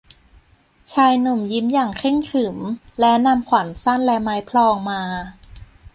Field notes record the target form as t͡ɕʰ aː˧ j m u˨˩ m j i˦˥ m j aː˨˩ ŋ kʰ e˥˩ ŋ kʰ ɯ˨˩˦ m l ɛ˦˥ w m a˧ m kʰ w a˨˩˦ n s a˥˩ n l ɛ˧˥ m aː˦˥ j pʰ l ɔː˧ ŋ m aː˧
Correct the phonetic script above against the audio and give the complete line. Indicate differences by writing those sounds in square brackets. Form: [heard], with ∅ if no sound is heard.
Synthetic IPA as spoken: t͡ɕʰ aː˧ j [n] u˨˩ m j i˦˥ m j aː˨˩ ŋ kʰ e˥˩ ŋ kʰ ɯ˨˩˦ m l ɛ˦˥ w [n] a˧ m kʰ w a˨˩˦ n s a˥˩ n l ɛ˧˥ m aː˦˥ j pʰ l ɔː˧ ŋ m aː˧